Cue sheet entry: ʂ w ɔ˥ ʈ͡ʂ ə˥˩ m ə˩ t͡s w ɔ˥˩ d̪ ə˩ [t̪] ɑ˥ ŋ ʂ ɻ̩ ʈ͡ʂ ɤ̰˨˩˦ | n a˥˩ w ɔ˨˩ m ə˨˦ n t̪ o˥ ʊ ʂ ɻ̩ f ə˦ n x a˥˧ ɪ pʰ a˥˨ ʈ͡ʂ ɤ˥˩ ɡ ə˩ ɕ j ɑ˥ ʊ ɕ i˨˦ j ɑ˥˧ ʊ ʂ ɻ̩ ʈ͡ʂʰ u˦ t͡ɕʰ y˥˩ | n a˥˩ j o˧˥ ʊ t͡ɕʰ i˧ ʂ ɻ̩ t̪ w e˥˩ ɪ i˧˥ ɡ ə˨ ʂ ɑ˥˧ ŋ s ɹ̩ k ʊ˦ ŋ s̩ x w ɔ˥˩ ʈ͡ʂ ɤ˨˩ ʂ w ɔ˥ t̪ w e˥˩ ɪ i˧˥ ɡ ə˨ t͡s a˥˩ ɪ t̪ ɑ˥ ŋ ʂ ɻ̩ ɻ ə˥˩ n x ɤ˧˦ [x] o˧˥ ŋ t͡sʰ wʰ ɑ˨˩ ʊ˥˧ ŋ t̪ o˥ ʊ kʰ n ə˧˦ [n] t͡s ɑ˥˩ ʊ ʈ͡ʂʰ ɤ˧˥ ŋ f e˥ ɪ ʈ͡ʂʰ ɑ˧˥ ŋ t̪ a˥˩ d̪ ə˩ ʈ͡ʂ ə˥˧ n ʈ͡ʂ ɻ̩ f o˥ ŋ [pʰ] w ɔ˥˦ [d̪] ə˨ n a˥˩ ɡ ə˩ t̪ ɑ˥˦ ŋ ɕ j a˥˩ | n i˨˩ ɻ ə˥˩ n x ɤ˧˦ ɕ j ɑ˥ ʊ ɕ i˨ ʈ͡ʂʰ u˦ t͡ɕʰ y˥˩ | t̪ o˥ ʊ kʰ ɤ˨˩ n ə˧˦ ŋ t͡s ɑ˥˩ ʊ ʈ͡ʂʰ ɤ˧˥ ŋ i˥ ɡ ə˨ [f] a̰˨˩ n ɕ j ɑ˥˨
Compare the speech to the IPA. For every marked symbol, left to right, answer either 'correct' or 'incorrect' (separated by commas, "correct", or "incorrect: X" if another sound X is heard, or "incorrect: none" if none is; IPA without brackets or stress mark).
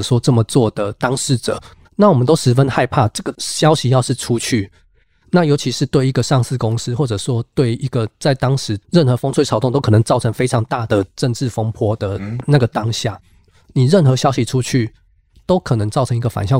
correct, incorrect: f, incorrect: ŋ, correct, correct, correct